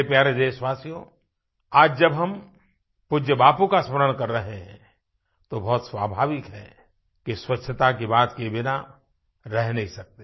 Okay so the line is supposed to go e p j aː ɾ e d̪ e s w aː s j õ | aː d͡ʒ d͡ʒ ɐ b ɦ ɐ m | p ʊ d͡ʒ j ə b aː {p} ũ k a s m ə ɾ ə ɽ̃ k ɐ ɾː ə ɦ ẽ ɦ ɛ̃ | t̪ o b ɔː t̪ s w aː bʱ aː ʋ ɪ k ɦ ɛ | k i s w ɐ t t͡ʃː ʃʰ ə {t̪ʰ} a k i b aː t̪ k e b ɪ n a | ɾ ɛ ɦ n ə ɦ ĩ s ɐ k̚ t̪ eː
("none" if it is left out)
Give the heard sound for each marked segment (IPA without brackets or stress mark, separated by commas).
p, t̪